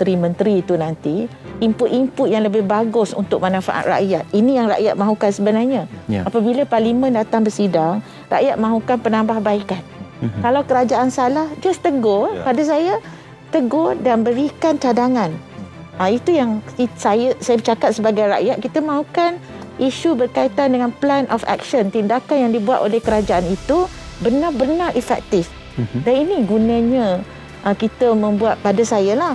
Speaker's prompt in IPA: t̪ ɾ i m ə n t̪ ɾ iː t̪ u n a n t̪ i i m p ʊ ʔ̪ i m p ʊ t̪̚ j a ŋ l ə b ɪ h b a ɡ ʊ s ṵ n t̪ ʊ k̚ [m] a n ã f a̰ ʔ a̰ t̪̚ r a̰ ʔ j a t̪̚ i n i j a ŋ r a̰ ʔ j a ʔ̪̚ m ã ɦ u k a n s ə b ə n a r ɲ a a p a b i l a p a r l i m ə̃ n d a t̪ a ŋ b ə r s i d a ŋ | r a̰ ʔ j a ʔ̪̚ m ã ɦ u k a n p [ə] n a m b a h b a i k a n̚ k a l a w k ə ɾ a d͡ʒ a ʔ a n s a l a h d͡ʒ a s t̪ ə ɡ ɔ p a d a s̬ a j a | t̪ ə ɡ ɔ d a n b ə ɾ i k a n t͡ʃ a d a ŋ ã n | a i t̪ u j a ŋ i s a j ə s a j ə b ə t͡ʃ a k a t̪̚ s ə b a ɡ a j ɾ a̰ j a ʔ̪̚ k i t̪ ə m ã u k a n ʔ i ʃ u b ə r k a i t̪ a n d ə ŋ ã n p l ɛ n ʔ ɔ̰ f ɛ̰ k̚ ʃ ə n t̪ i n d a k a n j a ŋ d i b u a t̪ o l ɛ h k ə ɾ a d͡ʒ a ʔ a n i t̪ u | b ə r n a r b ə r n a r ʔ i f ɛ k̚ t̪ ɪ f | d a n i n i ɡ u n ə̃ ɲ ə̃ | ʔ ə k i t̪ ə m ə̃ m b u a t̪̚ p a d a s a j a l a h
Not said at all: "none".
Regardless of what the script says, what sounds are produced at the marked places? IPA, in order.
m, ə

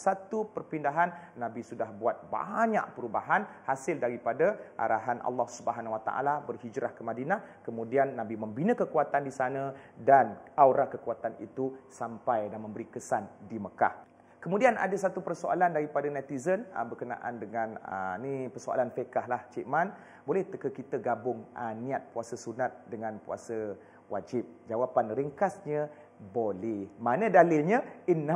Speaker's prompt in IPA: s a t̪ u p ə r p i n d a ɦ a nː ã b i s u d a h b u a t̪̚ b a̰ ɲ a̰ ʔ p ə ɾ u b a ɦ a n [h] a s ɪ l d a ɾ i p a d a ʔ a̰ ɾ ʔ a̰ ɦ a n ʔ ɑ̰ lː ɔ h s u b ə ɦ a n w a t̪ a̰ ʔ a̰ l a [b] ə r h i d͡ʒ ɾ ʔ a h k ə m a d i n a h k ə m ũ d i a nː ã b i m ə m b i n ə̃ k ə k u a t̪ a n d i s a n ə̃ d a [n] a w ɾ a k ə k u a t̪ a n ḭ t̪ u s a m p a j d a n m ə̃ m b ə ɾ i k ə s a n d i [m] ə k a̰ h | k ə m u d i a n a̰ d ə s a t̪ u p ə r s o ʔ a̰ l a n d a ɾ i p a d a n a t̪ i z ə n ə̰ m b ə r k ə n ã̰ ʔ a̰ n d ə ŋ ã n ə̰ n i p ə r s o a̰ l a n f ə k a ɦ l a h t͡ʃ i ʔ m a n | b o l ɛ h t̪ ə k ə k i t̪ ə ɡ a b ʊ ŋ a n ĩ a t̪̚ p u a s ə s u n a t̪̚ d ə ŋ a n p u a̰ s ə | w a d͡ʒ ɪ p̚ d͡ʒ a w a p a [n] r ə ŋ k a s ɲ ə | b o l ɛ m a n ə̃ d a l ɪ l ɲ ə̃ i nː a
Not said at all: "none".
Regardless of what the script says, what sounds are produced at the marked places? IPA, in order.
h, b, n, m, n

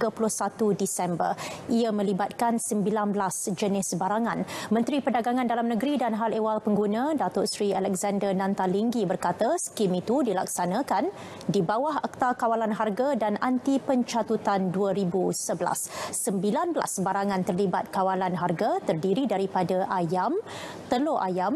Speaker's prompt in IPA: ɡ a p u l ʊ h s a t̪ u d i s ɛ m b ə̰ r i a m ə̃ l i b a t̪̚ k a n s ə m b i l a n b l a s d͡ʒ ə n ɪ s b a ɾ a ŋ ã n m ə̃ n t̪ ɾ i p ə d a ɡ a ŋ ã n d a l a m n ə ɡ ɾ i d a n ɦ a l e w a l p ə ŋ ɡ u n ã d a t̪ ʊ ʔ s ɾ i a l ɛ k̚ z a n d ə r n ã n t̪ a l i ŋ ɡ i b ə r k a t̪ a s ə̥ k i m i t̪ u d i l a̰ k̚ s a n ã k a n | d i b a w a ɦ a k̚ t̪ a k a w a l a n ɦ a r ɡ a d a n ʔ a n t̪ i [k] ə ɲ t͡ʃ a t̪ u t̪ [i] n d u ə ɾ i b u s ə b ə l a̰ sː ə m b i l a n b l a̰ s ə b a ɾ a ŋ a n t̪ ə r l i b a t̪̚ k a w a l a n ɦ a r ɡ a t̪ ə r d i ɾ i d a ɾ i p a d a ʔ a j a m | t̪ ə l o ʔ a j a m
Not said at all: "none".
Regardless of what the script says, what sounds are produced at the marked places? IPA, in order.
p, a

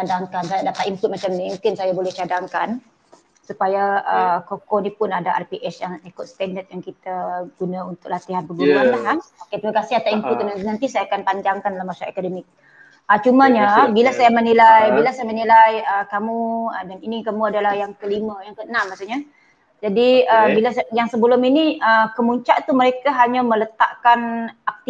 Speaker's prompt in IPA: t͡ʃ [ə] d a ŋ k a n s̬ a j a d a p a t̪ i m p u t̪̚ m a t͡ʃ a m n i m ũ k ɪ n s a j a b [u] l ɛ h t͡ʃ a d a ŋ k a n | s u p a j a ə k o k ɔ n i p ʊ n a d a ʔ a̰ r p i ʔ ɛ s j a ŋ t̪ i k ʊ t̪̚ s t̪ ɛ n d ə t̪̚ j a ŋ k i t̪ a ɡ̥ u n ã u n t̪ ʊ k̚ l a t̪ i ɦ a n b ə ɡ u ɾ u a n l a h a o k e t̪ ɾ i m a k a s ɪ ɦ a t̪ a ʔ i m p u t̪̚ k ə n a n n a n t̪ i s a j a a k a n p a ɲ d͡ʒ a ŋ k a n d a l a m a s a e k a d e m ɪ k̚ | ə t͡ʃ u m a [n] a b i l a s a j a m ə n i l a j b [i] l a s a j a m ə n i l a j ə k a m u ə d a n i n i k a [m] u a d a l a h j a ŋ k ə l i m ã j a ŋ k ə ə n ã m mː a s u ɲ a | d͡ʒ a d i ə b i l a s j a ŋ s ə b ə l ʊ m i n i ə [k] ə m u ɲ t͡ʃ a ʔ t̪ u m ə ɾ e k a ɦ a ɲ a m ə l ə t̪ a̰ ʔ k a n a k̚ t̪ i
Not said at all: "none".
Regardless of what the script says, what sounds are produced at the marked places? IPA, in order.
a, o, ɲ, i, m, k

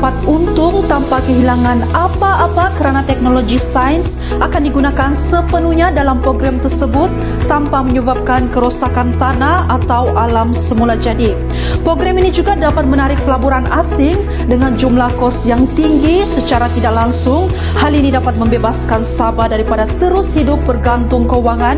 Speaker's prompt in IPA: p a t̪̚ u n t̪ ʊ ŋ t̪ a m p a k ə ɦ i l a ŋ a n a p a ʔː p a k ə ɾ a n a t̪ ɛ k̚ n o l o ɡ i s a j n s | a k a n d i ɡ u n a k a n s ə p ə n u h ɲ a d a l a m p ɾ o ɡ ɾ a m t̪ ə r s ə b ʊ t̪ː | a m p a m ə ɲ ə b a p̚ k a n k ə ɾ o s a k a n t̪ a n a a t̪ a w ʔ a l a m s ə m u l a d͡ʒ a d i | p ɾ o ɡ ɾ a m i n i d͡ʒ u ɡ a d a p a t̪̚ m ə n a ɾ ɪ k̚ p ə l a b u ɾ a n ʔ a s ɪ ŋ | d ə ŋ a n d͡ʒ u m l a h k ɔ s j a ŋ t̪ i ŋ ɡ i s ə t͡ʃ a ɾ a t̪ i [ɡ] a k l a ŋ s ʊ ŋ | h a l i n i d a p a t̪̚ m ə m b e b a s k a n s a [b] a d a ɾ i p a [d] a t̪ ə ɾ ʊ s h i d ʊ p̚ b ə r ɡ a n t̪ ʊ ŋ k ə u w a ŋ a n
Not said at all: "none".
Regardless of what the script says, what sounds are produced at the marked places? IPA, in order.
d, b, d

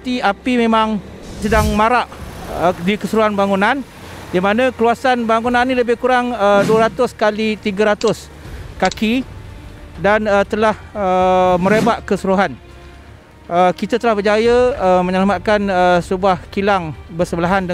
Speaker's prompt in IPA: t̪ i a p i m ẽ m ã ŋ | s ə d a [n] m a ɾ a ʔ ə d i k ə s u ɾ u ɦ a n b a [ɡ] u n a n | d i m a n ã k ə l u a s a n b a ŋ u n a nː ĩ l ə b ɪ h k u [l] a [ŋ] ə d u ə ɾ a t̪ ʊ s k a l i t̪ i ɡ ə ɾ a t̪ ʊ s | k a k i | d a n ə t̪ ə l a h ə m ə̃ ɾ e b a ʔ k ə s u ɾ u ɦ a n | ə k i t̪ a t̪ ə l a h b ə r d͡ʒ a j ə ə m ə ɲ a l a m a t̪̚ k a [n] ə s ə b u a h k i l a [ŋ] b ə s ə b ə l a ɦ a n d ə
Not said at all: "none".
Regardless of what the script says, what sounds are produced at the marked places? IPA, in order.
ŋ, ŋ, ɾ, ŋ, n, ŋ

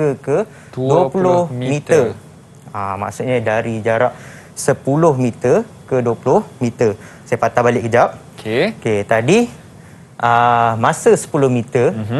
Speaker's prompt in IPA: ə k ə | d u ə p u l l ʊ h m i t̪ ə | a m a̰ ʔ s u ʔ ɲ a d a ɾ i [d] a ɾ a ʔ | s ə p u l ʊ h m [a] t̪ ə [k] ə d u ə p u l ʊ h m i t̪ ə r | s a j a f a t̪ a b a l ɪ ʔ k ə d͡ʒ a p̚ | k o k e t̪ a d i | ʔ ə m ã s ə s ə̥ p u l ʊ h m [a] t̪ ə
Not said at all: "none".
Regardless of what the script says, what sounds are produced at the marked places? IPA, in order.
d͡ʒ, i, k, i

